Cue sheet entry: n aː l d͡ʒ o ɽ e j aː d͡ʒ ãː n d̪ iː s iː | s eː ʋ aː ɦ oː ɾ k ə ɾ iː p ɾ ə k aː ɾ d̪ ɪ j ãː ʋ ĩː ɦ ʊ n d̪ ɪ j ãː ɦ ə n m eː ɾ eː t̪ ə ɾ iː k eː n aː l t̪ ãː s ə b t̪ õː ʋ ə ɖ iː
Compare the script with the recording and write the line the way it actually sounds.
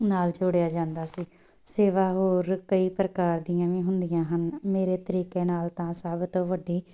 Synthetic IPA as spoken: n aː l d͡ʒ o ɽ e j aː d͡ʒ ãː n d̪ aː s iː | s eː ʋ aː ɦ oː ɾ k ə iː p ɾ ə k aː ɾ d̪ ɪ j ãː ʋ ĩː ɦ ʊ n d̪ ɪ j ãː ɦ ə n m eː ɾ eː t̪ ə ɾ iː k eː n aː l t̪ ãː s ə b t̪ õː ʋ ə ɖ iː